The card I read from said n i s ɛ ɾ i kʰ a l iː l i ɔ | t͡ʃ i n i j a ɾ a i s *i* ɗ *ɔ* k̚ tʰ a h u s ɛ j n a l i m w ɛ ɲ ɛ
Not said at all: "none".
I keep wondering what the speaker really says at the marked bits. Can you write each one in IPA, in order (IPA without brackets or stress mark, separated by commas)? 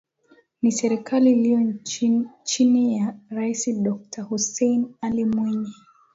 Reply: i, ɔ